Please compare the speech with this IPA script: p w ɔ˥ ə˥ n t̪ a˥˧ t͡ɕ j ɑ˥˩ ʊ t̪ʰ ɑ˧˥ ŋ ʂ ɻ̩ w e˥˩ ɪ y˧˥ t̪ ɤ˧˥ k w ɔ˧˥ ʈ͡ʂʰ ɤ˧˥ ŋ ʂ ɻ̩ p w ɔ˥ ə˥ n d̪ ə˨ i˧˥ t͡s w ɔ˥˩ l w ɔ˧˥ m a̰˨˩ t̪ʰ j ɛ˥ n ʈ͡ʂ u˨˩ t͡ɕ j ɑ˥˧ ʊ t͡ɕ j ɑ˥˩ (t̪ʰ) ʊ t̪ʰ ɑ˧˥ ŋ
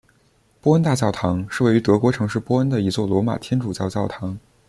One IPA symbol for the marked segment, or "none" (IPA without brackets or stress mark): none